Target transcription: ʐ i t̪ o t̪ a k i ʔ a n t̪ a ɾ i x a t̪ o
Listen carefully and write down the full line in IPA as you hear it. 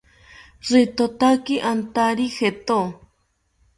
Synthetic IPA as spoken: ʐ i t̪ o t̪ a k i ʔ a n t̪ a ɾ i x e t̪ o